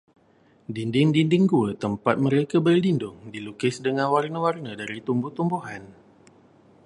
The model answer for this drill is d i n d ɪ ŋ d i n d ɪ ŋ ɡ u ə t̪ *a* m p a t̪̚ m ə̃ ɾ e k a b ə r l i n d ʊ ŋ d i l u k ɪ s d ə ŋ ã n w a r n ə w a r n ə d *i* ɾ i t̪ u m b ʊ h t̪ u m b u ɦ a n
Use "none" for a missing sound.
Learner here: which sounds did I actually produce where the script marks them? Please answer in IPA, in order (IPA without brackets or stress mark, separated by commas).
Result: ə, a